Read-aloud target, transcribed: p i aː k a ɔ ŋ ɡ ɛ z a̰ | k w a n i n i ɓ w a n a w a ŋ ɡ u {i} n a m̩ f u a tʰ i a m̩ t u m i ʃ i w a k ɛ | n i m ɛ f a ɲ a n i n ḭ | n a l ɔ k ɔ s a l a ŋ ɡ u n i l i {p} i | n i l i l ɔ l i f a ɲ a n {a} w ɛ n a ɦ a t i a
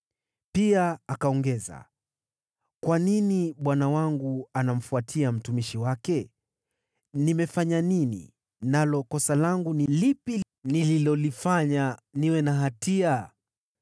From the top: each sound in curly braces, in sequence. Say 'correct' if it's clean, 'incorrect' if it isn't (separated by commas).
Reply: incorrect, correct, incorrect